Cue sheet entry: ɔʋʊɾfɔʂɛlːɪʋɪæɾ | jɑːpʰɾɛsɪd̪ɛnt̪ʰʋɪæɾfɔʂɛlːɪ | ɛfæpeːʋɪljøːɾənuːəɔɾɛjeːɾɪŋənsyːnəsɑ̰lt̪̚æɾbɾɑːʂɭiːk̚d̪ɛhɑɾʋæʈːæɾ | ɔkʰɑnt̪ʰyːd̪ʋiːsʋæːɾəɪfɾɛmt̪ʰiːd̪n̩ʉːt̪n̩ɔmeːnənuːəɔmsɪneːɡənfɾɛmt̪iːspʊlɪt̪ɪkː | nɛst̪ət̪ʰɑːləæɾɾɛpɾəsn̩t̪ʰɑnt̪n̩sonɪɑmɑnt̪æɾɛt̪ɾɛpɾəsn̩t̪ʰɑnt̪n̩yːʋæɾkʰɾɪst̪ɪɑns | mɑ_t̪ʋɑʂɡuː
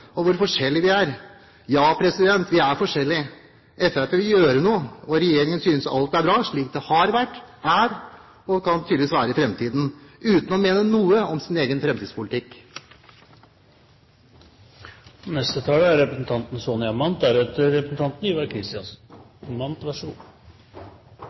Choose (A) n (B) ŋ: A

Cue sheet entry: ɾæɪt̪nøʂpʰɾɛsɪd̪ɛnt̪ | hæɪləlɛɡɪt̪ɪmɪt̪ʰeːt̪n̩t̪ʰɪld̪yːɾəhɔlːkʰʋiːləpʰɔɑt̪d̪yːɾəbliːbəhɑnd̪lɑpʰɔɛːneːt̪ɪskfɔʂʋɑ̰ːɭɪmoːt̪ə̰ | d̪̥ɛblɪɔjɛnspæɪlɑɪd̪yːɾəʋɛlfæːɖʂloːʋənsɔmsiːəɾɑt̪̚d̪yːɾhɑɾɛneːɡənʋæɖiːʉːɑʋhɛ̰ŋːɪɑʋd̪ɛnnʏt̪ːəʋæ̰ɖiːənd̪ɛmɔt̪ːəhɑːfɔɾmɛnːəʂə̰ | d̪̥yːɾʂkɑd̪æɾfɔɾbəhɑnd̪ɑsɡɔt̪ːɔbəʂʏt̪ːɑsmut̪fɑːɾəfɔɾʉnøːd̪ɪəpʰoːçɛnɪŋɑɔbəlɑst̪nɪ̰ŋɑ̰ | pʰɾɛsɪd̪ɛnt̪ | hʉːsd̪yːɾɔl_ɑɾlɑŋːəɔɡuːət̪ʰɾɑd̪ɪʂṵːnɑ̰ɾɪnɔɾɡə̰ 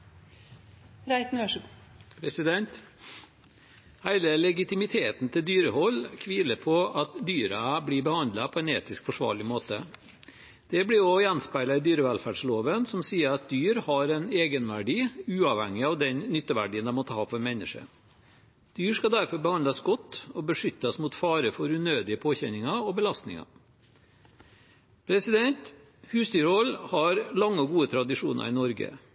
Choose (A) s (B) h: B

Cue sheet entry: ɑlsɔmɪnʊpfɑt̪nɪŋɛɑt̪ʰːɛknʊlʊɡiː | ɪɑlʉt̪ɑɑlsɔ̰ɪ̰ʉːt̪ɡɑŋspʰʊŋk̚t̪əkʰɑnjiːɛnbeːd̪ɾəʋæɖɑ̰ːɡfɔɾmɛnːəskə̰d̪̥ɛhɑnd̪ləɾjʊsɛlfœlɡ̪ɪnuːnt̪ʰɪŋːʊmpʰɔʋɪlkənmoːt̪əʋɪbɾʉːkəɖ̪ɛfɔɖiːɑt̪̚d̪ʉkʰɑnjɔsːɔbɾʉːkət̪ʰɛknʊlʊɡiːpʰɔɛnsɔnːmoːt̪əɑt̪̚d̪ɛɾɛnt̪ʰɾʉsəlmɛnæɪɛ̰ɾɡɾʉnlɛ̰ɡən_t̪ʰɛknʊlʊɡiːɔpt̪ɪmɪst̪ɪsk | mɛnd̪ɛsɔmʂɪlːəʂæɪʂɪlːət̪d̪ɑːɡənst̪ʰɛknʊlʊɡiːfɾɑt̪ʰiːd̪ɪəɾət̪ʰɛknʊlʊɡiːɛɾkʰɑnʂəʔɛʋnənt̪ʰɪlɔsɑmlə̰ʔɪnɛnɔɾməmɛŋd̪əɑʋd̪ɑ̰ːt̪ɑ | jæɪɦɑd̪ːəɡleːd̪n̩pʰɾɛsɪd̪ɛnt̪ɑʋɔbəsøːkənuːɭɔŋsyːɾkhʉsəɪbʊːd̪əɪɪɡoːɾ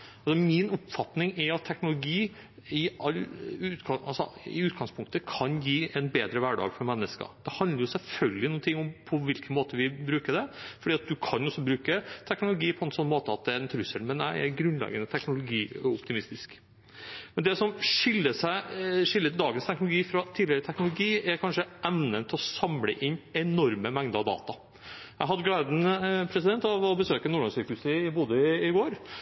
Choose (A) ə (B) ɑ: A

